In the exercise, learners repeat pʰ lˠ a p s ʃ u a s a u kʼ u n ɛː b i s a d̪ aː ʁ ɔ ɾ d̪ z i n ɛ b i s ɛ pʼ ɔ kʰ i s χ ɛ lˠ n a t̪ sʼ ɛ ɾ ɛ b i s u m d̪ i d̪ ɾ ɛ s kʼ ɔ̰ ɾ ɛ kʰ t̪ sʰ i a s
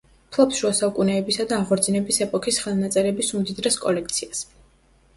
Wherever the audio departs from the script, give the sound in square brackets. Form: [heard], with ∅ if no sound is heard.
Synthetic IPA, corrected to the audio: pʰ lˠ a p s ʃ u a s a u kʼ u n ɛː b i s a d̪ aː ʁ ɔ ɾ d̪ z i n ɛ b i s ɛ pʼ ɔ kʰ i s χ ɛ lˠ n a t̪ sʼ ɛ ɾ ɛ b i s u m d̪ i d̪ ɾ ɛ s kʼ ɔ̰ [l] ɛ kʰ t̪ sʰ i a s